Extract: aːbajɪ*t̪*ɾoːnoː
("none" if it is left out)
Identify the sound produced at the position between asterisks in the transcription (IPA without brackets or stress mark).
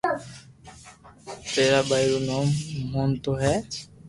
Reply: none